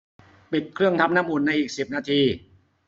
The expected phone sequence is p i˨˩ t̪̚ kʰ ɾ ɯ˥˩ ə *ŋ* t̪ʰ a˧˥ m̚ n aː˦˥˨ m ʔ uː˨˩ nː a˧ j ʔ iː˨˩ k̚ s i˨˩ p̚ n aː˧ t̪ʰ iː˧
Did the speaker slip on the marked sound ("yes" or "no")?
no